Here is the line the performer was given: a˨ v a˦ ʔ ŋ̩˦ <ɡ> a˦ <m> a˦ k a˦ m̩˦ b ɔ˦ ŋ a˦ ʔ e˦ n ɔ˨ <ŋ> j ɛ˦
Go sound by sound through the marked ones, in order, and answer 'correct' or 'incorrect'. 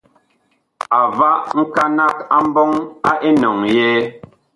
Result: incorrect: k, incorrect: n, correct

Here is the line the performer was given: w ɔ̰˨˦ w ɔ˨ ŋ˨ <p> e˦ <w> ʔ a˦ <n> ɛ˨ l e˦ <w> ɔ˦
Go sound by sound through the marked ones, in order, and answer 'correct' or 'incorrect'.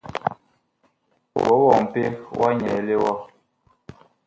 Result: correct, correct, incorrect: ɲ, correct

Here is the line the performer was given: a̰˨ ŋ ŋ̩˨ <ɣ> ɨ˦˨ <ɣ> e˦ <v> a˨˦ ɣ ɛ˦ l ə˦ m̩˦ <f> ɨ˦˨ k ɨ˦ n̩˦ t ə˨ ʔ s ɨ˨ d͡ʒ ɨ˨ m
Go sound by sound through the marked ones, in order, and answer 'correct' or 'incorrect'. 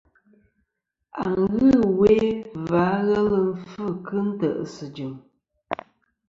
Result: correct, incorrect: w, correct, correct

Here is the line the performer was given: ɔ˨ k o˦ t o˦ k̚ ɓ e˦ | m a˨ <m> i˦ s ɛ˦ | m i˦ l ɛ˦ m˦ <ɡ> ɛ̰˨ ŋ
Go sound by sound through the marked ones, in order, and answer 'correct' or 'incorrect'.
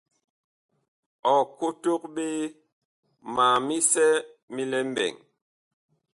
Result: correct, incorrect: b

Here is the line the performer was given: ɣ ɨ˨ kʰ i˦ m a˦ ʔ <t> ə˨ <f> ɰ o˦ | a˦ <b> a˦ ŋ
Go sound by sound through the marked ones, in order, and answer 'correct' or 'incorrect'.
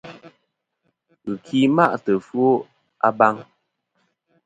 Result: correct, correct, correct

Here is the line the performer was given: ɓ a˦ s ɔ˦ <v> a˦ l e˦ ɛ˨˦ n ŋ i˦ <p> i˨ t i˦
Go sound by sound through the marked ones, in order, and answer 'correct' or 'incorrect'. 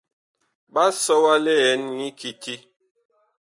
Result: incorrect: w, incorrect: k

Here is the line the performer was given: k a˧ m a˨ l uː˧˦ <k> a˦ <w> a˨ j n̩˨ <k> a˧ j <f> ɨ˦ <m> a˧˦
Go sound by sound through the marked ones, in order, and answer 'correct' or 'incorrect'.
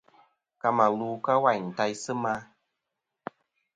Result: correct, correct, incorrect: t, incorrect: s, correct

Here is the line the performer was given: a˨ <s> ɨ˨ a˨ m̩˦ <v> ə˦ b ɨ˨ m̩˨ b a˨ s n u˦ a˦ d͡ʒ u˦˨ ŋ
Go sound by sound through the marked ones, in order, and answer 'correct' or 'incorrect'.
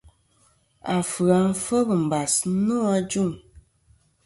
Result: incorrect: f, incorrect: f

